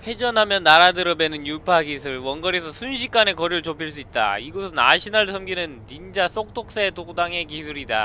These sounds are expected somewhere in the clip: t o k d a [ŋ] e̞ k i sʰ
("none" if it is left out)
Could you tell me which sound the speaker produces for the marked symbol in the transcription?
ŋ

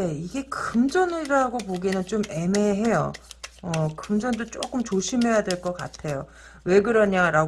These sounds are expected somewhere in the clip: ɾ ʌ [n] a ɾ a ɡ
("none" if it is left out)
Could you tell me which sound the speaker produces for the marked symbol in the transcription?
ɲ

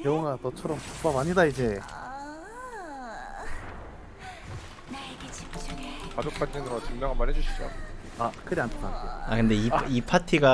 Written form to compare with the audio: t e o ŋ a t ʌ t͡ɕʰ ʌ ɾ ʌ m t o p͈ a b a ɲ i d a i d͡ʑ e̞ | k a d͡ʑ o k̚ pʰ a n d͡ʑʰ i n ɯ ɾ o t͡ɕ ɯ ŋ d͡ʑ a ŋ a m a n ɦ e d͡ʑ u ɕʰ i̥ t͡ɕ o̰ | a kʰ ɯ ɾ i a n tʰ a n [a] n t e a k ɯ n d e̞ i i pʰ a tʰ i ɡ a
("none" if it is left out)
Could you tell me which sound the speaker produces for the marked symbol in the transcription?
a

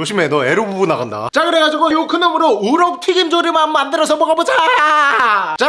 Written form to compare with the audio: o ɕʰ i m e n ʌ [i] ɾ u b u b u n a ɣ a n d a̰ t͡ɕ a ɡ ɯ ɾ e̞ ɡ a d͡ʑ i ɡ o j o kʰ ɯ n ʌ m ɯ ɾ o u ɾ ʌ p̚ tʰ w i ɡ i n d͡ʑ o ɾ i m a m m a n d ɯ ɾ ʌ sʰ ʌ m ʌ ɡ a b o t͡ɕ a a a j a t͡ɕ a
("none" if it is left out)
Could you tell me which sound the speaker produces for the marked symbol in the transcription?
e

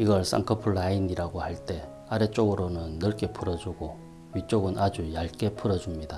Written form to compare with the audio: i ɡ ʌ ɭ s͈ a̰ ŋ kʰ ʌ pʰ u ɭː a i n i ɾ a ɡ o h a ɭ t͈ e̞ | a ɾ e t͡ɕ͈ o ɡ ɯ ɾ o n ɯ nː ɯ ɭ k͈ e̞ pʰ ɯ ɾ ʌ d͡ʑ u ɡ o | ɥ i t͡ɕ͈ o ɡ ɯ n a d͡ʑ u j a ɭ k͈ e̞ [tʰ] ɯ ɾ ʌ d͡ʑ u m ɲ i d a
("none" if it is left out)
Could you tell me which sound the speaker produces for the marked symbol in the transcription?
pʰ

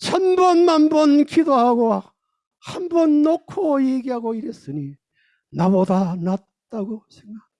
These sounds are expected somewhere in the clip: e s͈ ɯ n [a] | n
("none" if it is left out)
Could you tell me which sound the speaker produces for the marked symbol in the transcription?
i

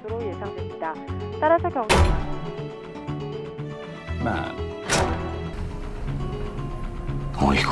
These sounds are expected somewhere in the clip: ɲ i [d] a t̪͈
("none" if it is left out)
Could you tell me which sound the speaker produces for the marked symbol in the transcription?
d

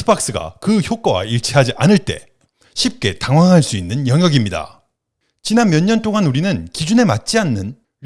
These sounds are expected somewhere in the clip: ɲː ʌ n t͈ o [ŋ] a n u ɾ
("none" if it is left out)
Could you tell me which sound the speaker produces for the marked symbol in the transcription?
ŋ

